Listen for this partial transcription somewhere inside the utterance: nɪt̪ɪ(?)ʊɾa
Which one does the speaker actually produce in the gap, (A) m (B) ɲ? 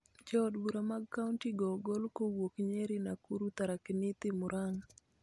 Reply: A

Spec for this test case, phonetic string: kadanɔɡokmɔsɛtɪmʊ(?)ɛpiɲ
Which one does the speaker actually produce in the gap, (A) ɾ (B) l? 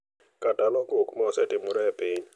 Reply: A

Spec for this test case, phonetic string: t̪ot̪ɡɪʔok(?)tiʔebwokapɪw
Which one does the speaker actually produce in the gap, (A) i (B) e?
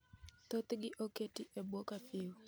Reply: B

